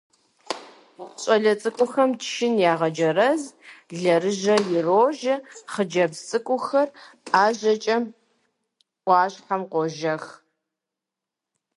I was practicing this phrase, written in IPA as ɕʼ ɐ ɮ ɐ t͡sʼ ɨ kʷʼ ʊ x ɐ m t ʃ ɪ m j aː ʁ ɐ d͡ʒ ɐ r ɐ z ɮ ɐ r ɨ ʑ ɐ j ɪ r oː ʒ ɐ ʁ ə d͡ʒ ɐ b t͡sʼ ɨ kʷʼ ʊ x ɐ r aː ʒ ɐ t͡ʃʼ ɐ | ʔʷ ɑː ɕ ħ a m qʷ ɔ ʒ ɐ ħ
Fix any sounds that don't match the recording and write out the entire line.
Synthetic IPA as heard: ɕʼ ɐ ɮ ɐ t͡sʼ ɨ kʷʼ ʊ x ɐ m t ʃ ɪ n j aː ʁ ɐ d͡ʒ ɐ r ɐ z ɮ ɐ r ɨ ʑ ɐ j ɪ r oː ʒ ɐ χ ə d͡ʒ ɐ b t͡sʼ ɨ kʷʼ ʊ x ɐ r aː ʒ ɐ t͡ʃʼ ɐ | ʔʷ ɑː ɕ ħ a m qʷ ɔ ʒ ɐ x